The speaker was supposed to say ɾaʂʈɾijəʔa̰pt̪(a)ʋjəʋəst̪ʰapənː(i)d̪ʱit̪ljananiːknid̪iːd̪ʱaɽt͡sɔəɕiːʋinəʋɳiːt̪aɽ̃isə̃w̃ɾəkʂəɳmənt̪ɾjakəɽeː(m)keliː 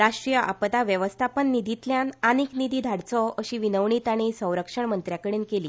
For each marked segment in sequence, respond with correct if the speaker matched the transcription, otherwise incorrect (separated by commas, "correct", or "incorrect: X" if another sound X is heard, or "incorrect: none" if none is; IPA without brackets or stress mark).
correct, correct, incorrect: n